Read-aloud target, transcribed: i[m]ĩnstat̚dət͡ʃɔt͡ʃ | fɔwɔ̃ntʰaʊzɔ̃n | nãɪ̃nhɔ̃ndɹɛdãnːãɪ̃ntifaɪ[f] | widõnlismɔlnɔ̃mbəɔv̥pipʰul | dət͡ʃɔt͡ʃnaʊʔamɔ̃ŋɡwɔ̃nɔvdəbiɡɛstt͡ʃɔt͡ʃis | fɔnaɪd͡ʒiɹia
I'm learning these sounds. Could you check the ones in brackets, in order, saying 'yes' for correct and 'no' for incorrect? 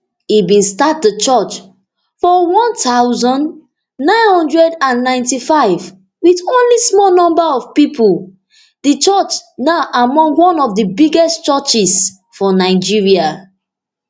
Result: no, no

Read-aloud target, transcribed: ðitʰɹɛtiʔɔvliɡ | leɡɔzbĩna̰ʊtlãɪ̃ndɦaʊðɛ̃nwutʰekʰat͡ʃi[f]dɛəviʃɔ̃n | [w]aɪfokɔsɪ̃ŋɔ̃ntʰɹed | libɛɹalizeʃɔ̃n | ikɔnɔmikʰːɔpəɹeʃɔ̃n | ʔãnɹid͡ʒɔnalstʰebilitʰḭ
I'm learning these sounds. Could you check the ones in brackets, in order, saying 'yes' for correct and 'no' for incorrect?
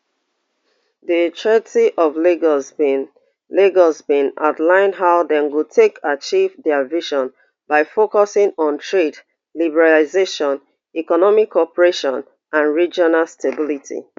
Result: no, no

